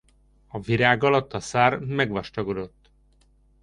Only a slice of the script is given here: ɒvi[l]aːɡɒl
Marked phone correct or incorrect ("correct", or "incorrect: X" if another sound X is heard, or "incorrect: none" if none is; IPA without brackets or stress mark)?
incorrect: ɾ